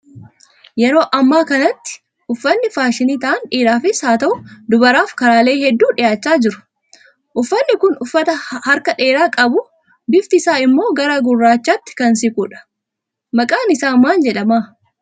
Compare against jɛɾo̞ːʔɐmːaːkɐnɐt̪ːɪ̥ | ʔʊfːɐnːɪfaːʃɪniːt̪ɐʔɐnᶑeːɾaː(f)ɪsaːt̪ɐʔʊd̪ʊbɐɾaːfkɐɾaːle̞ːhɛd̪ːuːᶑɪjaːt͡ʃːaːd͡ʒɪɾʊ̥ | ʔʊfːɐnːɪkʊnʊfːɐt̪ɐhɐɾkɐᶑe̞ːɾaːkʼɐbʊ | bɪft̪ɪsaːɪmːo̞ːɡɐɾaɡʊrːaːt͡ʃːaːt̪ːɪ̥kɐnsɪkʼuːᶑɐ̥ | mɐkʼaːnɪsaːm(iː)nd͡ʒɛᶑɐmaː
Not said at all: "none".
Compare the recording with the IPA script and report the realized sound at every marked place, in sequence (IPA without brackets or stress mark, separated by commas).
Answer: f, aː